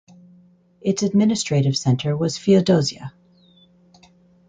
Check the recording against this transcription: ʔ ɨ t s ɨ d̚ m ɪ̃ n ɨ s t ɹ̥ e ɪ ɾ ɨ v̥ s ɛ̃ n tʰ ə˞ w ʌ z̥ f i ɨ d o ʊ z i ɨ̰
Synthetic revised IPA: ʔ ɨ t s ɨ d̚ m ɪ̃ n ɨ s t ɹ̥ e ɪ ɾ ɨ v̥ s ɛ̃ n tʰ ə˞ w ʌ z̥ f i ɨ d o ʊ z i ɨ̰